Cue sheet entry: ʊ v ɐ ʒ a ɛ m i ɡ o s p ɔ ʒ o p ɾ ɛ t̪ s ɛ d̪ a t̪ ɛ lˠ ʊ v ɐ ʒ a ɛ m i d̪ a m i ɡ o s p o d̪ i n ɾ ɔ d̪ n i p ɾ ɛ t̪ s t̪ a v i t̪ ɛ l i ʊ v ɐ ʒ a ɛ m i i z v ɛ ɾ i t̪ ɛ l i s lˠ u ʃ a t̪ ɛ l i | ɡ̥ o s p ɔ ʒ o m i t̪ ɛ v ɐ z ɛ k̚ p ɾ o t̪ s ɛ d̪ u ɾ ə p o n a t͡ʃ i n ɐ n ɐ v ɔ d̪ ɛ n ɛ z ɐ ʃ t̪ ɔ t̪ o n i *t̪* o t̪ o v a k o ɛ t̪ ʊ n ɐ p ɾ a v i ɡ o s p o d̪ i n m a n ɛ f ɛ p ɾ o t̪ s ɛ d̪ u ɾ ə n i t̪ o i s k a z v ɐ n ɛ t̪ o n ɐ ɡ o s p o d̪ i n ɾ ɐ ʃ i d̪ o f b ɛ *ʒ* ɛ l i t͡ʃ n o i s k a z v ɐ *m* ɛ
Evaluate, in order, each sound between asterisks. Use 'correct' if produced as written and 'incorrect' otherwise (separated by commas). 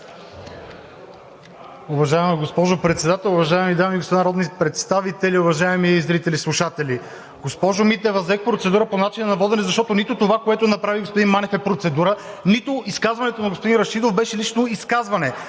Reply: correct, incorrect, incorrect